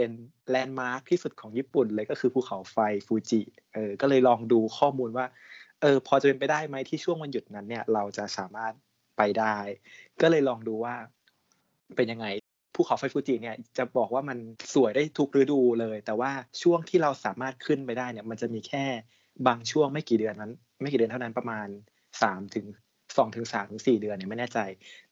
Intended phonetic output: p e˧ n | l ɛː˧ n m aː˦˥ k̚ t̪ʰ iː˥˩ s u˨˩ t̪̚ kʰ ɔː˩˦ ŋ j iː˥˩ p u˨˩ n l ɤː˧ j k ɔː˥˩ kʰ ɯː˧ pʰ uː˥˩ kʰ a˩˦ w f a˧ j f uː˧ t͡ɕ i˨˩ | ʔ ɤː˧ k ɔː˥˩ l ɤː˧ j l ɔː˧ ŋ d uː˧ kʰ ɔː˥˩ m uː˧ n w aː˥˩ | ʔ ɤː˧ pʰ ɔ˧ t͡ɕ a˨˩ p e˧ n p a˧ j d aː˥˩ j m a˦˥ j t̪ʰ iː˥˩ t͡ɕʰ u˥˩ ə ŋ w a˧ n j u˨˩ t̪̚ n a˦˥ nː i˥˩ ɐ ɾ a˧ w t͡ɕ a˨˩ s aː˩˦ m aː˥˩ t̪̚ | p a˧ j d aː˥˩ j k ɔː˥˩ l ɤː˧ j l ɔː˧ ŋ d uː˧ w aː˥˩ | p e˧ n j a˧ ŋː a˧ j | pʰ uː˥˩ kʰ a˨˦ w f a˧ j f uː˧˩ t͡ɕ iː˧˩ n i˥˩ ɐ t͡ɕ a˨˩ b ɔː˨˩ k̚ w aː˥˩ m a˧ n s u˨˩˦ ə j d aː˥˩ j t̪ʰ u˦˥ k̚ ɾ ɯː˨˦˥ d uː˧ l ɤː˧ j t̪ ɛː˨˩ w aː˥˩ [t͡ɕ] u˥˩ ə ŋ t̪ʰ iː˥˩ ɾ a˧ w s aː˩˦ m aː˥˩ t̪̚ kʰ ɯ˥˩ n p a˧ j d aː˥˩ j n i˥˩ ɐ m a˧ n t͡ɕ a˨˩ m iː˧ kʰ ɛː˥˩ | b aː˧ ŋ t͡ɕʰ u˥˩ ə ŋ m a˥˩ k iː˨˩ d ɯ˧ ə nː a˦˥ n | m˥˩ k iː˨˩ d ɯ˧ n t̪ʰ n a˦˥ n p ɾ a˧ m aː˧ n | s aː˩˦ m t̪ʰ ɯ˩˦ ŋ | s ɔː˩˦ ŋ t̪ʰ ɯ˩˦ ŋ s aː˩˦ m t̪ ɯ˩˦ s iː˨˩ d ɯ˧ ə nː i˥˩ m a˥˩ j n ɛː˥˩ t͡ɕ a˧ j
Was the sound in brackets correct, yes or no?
no